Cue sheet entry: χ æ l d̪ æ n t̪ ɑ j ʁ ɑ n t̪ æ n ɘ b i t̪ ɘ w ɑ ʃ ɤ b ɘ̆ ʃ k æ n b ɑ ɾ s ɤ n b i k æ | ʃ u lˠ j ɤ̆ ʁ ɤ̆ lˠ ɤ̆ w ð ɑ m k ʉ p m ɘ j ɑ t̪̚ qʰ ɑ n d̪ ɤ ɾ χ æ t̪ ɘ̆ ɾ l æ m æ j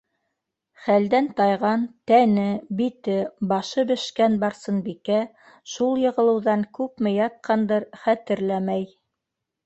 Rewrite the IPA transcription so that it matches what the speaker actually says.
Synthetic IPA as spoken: χ æ l d̪ æ n t̪ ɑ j ʁ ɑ n t̪ æ n ɘ b i t̪ ɘ b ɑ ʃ ɤ b ɘ̆ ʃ k æ n b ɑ ɾ s ɤ n b i k æ | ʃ u lˠ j ɤ̆ ʁ ɤ̆ lˠ ɤ̆ w ð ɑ ŋ k ʉ p m ɘ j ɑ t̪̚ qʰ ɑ n d̪ ɤ ɾ χ æ t̪ ɘ̆ ɾ l æ m æ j